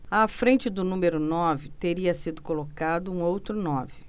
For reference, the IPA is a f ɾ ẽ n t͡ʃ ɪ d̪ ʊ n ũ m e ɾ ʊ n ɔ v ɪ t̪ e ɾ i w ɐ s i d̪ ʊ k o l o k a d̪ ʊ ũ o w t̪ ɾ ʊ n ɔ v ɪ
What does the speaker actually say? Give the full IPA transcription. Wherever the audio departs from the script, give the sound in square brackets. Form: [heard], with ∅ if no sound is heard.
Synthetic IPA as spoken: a f ɾ ẽ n t͡ʃ ɪ d̪ ʊ n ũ m e ɾ ʊ n ɔ v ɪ t̪ e ɾ i [∅] ɐ s i d̪ ʊ k o l o k a d̪ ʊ ũ o w t̪ ɾ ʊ n ɔ v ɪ